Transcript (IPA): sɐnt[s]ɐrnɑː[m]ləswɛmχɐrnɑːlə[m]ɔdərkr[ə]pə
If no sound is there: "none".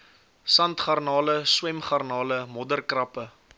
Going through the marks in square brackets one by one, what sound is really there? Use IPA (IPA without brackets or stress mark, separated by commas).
χ, none, m, ɐ